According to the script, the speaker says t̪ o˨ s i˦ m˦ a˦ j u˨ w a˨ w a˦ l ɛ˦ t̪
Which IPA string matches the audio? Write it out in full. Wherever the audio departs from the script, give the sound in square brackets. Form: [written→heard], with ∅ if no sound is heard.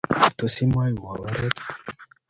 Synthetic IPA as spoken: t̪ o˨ s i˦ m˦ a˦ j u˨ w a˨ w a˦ [l→ɾ] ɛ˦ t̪

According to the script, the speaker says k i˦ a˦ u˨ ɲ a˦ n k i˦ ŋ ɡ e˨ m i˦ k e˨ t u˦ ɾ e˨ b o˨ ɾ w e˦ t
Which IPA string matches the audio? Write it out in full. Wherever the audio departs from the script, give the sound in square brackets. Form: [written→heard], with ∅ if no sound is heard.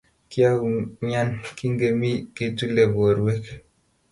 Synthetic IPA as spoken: k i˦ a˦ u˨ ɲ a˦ n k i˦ ŋ ɡ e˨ m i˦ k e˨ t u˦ [ɾ→l] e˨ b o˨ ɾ w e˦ [t→k]

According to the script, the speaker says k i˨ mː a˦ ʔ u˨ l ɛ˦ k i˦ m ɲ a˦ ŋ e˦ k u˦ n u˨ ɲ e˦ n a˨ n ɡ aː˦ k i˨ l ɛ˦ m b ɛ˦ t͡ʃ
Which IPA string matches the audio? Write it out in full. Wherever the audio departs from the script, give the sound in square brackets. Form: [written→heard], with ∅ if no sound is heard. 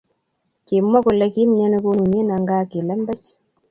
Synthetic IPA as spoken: k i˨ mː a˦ [ʔ→k] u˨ l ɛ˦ k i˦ m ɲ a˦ [ŋ→n] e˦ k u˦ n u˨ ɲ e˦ n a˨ [n→ŋ] ɡ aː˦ k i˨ l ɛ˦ m b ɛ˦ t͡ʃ

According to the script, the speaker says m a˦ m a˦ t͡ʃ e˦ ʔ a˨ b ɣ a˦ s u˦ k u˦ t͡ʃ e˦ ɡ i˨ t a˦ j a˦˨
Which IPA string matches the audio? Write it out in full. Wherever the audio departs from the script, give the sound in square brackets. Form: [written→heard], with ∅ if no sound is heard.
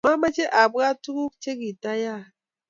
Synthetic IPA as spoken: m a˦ m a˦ t͡ʃ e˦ ʔ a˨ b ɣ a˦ [s→t] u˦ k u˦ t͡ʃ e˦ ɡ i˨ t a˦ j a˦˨

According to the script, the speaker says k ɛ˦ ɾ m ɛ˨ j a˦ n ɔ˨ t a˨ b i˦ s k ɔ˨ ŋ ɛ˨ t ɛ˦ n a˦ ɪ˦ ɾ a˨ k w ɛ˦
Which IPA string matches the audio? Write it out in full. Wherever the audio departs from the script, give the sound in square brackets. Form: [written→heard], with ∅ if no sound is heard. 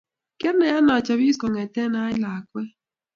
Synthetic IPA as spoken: k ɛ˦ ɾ [m→n] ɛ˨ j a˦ n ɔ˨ [t→t͡ʃ] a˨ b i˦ s k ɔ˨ ŋ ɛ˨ t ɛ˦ n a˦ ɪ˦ [ɾ→l] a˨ k w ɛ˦

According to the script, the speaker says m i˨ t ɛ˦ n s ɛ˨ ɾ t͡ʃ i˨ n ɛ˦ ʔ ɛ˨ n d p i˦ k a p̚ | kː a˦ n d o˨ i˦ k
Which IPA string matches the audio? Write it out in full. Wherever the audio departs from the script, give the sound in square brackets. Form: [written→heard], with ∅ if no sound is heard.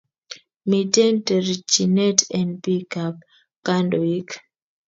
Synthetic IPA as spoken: m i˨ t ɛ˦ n [s→t] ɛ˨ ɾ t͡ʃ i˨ n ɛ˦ [ʔ→t] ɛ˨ n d p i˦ k a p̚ | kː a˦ n d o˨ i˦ k

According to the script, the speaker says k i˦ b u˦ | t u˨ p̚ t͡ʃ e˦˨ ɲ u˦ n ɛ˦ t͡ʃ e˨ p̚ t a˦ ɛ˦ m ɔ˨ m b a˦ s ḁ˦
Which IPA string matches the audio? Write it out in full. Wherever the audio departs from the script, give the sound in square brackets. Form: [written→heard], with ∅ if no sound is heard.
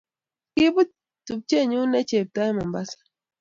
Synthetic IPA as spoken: k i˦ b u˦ | t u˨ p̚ t͡ʃ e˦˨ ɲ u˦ n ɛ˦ t͡ʃ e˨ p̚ t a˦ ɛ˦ m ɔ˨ m b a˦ s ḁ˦

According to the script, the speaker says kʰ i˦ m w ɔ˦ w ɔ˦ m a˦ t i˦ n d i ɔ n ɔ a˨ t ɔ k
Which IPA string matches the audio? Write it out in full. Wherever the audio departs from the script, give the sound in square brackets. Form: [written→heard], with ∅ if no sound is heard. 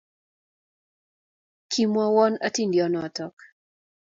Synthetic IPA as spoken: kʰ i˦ m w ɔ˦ w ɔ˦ [m→n] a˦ t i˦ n d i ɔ n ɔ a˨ t ɔ k

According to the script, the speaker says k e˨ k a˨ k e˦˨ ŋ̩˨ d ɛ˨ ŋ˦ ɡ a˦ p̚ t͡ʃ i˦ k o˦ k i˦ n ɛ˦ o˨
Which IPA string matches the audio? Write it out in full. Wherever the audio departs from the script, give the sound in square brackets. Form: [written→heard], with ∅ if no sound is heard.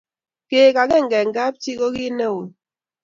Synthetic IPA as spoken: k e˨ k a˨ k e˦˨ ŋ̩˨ [d→ɡ] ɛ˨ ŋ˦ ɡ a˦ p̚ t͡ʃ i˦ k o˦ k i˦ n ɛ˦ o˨

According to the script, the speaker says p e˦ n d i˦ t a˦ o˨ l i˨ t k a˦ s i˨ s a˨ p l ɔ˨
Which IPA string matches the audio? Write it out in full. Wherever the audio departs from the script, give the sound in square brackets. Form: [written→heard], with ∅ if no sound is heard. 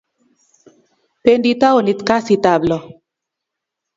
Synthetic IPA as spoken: p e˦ n d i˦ t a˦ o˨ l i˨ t k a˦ s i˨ [s→t] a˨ [p→b] l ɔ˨

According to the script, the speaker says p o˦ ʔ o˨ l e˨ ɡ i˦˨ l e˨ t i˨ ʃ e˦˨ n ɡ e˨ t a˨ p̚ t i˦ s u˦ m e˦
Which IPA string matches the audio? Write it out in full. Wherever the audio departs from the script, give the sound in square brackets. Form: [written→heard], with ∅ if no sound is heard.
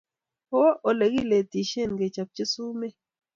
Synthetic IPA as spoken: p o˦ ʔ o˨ l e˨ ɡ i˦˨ l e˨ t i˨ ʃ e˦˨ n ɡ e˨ [t→t͡ʃ] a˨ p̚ [t→t͡ʃ] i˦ s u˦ m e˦

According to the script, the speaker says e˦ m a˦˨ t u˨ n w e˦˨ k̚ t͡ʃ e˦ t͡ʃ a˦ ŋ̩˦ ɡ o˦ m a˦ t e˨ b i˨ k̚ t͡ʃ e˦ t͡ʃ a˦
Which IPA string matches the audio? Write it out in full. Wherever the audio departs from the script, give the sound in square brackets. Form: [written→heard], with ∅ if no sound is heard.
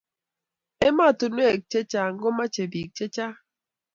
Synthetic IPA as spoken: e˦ m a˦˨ t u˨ n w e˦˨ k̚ t͡ʃ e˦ t͡ʃ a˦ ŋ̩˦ ɡ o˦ m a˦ [t→t͡ʃ] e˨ b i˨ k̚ t͡ʃ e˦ t͡ʃ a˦

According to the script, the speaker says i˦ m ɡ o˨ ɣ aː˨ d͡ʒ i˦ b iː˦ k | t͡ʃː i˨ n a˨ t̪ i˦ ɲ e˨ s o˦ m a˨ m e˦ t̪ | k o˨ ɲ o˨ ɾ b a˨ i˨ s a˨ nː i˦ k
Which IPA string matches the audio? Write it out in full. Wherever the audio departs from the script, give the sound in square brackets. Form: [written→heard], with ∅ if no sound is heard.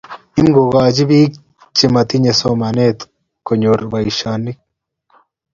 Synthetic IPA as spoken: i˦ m ɡ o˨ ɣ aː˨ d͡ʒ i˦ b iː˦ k | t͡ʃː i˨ [n→m] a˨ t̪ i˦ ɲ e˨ s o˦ m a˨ [m→n] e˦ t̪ | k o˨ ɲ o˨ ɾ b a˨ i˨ [s→ʃ] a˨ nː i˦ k

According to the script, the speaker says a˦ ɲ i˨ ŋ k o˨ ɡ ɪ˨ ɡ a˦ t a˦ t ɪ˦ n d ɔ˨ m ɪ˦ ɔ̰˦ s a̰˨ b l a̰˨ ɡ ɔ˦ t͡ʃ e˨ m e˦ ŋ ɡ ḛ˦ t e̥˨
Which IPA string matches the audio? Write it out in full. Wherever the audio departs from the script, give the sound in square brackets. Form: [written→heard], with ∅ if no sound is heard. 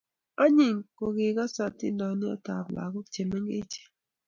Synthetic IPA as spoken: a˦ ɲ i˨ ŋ k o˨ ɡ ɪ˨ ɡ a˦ [t→s] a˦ t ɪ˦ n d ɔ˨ [m→n] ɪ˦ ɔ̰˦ [s→t] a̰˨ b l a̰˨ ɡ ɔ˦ t͡ʃ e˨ m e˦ ŋ ɡ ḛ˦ [t→t͡ʃ] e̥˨

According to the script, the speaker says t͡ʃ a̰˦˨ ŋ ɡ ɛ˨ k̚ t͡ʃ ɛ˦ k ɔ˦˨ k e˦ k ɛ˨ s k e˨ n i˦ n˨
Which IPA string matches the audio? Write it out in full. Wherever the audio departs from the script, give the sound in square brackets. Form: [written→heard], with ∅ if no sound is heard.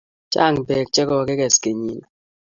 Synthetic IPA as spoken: t͡ʃ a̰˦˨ ŋ [ɡ→b] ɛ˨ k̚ t͡ʃ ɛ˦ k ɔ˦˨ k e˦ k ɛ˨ s k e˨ [n→ɲ] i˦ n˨

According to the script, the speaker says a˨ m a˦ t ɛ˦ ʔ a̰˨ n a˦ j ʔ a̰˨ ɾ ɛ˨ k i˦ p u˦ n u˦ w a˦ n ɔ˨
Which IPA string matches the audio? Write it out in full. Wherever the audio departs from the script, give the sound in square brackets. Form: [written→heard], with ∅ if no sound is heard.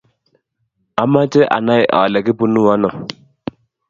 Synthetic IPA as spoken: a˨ m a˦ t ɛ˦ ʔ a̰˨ n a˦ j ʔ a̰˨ [ɾ→l] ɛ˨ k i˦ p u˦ n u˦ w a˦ n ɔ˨

